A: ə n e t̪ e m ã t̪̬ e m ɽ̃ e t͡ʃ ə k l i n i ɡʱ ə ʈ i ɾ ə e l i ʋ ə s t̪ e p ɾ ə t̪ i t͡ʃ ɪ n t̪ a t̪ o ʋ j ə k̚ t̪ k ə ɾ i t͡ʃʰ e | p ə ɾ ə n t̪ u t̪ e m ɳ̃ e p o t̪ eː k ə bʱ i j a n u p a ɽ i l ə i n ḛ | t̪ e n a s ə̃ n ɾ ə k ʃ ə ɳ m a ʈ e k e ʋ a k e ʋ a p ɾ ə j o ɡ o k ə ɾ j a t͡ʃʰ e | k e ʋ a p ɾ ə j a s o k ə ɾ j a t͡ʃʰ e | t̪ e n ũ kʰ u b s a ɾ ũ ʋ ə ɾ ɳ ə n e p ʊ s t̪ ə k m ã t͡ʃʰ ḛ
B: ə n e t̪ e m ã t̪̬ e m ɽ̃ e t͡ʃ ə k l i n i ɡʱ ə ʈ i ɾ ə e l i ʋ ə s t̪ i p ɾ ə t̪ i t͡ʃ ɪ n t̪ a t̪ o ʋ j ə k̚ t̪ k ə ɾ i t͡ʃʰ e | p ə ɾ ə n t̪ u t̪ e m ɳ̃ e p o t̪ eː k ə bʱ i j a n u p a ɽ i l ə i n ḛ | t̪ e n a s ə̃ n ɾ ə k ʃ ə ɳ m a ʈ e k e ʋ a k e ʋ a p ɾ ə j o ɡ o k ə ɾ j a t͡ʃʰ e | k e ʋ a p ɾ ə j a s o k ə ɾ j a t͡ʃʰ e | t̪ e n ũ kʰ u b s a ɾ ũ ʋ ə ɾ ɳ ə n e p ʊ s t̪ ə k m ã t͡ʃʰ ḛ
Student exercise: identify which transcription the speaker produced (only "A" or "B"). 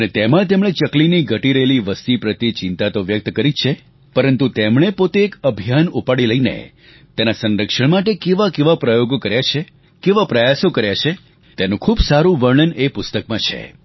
B